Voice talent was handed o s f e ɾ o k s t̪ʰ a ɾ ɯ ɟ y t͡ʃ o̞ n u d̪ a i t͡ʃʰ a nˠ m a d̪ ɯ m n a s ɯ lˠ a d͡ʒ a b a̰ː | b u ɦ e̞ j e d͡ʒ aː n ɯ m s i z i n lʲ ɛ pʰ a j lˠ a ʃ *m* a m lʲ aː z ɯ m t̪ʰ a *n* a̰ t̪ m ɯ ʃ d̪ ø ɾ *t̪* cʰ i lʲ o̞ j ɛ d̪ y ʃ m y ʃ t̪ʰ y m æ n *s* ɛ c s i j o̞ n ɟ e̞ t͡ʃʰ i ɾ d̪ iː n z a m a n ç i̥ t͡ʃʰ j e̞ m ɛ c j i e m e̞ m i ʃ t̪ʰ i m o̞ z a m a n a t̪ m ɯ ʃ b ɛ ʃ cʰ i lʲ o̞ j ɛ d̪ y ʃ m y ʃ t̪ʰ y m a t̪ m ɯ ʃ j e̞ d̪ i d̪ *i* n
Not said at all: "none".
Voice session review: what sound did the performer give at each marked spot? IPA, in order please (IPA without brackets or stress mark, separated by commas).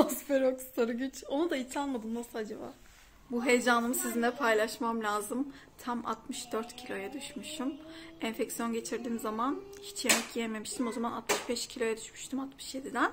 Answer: m, m, t̪, f, æ